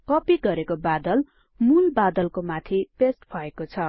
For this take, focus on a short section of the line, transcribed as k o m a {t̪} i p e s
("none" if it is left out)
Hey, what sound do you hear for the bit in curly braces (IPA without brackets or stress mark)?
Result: t̪ʰ